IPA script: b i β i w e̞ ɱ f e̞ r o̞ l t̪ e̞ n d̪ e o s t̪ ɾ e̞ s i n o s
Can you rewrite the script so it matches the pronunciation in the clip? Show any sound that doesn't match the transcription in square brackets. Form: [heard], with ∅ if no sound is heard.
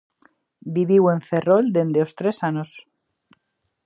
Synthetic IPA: b i β i w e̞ ɱ f e̞ r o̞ l [d̪] e̞ n d̪ e o s t̪ ɾ e̞ s [a] n o s

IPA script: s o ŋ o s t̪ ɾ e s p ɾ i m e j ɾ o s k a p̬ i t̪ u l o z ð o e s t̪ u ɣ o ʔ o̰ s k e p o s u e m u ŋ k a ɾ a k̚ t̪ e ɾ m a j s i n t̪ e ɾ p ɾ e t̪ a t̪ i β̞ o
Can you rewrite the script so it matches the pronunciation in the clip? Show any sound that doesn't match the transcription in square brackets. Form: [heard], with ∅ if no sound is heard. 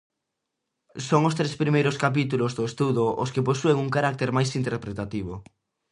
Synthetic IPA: s o ŋ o s t̪ ɾ e s p ɾ i m e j ɾ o s k a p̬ i t̪ u l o z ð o e s t̪ u [ð] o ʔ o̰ s k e p o s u e [ŋ] u ŋ k a ɾ a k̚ t̪ e ɾ m a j s i n t̪ e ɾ p ɾ e t̪ a t̪ i β̞ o

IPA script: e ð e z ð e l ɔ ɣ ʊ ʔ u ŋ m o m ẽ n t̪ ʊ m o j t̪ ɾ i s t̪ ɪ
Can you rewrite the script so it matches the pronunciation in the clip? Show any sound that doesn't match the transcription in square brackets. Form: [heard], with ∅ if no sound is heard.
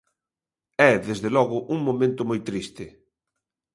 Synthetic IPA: [ɛ] ð e z ð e l ɔ ɣ ʊ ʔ u ŋ m o m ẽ n t̪ ʊ m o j t̪ ɾ i s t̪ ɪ

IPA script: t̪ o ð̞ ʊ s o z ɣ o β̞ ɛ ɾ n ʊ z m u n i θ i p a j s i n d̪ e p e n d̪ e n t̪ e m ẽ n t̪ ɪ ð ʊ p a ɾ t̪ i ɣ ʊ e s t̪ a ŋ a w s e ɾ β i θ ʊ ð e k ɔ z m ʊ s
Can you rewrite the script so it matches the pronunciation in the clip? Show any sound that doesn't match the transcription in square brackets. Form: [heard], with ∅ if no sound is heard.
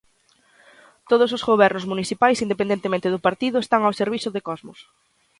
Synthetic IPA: t̪ o ð̞ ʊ s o z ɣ o β̞ ɛ ɾ n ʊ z m u n i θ i p a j s i n d̪ e p e n d̪ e n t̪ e m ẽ n t̪ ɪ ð ʊ p a ɾ t̪ i [ð] ʊ e s t̪ a ŋ a w s e ɾ β i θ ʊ ð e k ɔ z m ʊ s

